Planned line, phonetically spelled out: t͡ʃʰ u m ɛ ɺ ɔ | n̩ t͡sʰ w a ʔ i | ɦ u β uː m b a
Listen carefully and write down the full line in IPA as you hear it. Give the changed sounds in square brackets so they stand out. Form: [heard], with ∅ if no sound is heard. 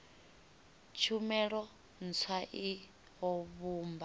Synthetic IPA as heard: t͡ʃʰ u m ɛ ɺ ɔ | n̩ t͡sʰ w a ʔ i | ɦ [ɔ] β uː m b a